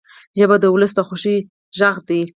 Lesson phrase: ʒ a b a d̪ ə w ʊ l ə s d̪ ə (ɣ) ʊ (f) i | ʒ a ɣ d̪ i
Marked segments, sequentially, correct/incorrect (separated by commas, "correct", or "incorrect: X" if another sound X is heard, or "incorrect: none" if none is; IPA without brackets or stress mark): incorrect: x, incorrect: ʃ